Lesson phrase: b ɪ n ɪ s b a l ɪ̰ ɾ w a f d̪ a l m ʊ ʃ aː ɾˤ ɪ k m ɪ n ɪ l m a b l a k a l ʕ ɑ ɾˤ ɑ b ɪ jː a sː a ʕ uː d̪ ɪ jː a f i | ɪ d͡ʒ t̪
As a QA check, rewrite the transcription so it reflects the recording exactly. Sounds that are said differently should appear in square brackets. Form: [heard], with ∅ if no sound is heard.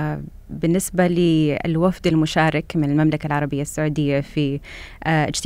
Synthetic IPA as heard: b ɪ [nː] ɪ s b a l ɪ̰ [l] w a f d̪ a l m ʊ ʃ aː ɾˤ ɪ k m ɪ n ɪ l m a [m] l a k a l ʕ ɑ ɾˤ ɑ b ɪ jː a sː a ʕ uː d̪ ɪ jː a f i | ɪ d͡ʒ t̪